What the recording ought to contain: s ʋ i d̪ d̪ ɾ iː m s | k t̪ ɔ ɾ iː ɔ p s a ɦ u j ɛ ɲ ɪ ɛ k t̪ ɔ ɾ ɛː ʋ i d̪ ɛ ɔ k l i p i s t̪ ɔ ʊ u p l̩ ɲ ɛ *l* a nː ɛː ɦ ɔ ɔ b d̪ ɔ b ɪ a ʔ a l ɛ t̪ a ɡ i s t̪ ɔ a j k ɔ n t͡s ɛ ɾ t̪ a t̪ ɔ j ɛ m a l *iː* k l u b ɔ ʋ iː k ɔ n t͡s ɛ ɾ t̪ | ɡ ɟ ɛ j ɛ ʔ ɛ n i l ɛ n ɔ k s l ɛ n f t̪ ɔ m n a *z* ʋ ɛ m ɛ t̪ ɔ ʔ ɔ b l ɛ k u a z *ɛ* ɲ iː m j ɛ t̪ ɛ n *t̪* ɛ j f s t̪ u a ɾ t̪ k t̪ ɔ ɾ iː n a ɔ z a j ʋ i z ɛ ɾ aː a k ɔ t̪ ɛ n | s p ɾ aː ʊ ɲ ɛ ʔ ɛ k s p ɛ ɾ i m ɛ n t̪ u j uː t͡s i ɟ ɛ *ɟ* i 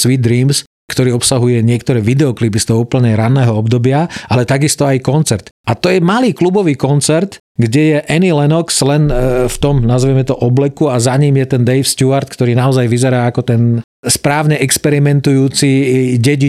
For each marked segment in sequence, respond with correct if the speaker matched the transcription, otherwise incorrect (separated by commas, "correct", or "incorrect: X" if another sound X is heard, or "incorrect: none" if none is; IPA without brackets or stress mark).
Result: incorrect: ɾ, correct, correct, incorrect: a, incorrect: d̪, correct